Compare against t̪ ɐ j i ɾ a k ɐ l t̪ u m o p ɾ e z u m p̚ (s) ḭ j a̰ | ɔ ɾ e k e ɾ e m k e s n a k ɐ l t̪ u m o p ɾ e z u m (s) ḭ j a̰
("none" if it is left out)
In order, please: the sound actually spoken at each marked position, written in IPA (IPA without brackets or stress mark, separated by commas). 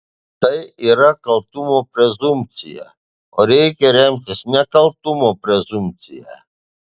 t͡s, t͡s